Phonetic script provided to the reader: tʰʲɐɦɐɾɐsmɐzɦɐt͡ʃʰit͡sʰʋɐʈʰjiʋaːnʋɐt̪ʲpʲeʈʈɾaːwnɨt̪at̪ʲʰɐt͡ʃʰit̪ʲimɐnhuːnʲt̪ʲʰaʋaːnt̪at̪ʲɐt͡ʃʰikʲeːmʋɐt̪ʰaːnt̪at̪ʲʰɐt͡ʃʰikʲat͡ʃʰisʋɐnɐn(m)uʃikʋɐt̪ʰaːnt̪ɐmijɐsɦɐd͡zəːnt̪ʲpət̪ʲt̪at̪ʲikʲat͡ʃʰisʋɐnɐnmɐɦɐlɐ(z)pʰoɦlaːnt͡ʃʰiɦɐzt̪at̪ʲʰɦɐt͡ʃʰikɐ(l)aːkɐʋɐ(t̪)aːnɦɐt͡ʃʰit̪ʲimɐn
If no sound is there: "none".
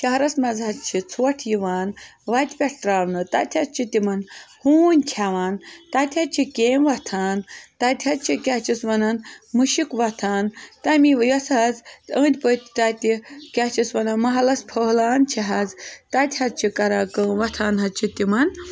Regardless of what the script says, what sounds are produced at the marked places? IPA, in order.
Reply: m, s, ɾ, t̪ʰ

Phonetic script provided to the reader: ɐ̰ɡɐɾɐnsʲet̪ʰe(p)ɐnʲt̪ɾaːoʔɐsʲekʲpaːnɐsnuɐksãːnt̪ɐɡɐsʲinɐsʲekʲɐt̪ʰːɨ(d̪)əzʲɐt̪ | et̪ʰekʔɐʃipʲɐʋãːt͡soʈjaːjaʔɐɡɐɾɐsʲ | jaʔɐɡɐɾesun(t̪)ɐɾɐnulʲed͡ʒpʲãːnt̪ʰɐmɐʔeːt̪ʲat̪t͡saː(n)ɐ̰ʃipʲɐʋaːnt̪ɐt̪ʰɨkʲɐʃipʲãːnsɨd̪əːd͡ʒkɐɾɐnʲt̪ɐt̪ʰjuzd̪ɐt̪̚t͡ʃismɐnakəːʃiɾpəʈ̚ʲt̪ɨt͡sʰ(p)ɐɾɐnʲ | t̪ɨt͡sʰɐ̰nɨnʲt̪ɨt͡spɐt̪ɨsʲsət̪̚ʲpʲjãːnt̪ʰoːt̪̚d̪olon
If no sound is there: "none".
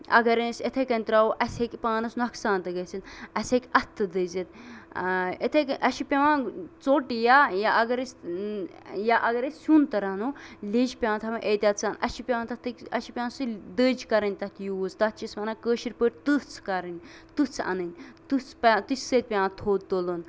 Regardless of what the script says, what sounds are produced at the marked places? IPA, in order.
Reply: k, d̪, t̪, n, k

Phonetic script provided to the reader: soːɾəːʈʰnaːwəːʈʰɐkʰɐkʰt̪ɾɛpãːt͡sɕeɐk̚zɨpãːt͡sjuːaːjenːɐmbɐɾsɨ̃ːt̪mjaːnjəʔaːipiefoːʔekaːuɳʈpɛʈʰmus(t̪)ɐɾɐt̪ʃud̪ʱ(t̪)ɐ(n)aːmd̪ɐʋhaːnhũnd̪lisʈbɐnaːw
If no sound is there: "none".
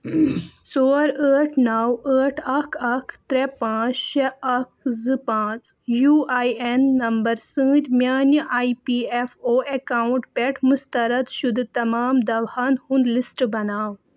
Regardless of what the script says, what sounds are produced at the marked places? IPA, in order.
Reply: t̪, t̪, m

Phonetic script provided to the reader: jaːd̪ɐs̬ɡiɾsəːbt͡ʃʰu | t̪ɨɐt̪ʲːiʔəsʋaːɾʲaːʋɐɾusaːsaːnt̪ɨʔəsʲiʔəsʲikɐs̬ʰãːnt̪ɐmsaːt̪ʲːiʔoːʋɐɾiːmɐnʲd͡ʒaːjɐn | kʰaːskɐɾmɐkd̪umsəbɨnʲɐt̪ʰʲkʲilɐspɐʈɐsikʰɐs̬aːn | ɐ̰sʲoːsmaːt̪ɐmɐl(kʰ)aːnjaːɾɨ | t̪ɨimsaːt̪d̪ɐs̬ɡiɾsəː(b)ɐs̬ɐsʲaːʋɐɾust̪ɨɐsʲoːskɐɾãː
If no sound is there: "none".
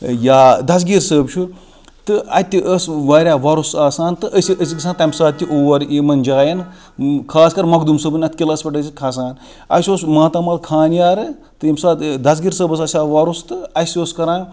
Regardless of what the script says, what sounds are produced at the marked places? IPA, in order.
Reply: kʰ, b

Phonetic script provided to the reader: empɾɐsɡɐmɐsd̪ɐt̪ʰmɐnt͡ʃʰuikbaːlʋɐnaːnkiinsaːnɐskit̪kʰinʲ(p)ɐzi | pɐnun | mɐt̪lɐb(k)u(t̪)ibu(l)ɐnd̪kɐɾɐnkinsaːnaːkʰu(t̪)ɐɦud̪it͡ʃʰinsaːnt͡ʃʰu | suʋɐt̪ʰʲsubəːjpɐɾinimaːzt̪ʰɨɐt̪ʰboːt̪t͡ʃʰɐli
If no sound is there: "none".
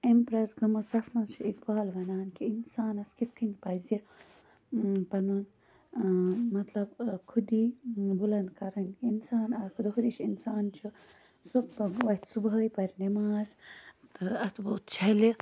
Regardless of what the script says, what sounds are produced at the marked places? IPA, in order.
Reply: p, kʰ, d̪, l, d̪

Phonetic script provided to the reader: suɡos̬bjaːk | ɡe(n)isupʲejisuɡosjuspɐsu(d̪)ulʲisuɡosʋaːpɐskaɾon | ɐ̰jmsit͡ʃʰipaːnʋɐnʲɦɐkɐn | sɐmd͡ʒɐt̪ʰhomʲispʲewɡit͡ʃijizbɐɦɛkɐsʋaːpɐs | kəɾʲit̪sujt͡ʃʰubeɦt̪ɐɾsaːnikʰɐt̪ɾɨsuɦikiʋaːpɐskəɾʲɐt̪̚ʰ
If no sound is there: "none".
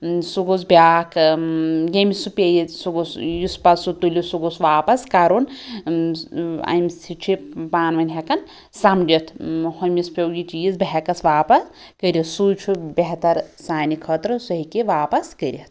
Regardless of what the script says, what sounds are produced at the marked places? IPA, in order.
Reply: m, t̪

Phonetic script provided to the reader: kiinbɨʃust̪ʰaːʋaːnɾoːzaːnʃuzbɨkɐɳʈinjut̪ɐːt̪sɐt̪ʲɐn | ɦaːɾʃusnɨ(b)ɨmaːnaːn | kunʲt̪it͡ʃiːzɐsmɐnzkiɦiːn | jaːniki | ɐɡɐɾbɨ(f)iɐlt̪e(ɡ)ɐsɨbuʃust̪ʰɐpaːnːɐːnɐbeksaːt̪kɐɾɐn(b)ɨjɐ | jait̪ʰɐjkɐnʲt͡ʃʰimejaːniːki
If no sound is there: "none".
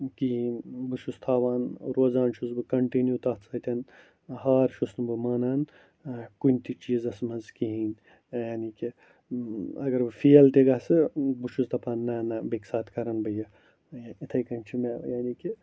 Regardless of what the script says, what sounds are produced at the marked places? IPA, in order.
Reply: b, f, ɡ, b

